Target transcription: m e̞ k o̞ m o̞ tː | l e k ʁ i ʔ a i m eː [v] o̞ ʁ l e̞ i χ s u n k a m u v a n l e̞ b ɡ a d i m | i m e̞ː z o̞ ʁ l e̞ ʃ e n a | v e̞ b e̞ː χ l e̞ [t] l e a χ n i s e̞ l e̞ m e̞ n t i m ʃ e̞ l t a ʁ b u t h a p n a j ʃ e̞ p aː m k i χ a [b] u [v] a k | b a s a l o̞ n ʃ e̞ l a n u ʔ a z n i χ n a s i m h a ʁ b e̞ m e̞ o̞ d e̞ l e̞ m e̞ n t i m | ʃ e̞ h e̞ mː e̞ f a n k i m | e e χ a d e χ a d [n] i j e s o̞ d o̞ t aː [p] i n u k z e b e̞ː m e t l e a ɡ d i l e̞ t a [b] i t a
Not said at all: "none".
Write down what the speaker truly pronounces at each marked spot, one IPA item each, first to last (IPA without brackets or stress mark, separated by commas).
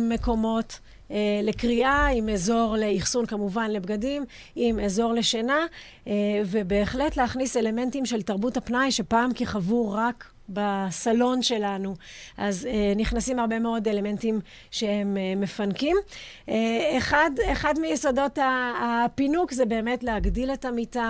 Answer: z, t, v, ʁ, m, p, m